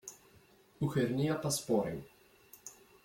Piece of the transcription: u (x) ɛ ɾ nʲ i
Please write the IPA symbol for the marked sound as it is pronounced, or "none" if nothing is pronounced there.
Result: x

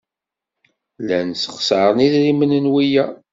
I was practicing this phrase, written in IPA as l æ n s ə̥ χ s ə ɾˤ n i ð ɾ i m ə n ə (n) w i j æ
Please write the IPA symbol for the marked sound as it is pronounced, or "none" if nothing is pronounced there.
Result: n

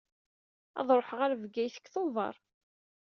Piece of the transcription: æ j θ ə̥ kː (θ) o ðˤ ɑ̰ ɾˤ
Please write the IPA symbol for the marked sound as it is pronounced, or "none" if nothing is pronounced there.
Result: θ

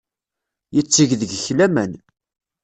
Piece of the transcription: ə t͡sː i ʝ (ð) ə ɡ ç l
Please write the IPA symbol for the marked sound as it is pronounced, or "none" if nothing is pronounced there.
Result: ð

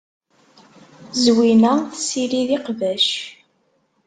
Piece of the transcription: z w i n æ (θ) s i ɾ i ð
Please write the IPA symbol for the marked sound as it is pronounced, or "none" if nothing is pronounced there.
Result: θ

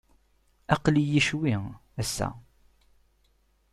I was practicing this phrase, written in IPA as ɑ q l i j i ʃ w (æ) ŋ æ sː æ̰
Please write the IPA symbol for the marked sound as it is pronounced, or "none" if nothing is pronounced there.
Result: i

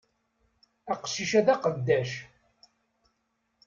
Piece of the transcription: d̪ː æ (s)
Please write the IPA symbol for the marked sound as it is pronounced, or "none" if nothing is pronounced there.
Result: ʃ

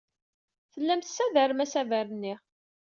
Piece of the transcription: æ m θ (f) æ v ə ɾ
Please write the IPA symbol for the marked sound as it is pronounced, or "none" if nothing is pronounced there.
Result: s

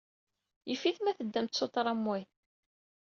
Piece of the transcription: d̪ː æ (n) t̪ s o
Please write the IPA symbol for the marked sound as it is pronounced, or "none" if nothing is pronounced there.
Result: m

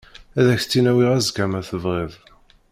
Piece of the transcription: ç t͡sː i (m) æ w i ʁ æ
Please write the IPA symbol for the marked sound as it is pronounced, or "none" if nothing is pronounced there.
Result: n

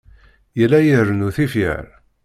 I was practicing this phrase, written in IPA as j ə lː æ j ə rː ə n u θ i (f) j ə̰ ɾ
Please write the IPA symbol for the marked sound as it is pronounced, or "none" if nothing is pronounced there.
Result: f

